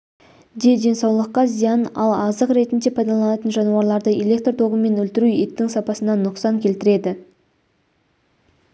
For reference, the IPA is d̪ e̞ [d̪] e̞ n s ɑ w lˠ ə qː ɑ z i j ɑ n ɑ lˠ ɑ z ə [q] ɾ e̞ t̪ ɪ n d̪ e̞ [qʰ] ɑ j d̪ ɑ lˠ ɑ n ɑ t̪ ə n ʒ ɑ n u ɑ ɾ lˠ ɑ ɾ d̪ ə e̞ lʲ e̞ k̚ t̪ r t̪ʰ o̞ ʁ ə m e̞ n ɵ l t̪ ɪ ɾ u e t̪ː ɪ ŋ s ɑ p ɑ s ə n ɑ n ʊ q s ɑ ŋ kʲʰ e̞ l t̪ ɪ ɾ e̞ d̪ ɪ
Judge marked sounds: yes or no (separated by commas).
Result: yes, yes, no